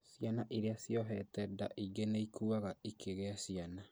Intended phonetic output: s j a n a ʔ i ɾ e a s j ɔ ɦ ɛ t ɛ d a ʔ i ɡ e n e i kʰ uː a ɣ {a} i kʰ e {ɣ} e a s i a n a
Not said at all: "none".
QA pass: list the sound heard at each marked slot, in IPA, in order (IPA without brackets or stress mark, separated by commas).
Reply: a, ɣ